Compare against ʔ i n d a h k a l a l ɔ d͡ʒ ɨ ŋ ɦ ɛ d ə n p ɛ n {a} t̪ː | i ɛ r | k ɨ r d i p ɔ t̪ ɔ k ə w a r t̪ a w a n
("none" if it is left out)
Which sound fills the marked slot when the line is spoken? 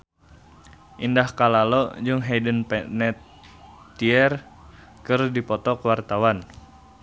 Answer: ɛ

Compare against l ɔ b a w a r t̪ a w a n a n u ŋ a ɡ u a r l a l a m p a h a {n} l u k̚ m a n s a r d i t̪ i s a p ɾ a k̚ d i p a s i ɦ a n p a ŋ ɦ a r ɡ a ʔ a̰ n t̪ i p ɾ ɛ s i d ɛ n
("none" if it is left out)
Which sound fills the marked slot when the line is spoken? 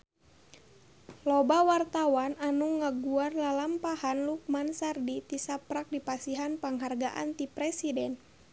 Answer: n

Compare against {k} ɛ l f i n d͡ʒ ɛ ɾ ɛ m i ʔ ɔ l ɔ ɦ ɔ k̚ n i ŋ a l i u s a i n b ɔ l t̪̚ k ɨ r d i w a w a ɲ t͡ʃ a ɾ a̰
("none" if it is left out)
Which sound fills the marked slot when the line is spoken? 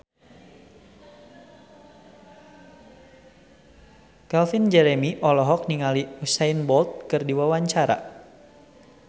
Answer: k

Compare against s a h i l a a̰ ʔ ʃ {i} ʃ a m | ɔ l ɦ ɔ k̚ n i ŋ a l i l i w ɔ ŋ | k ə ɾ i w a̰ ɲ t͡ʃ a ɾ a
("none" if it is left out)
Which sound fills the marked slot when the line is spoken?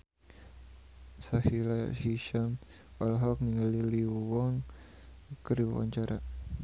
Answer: i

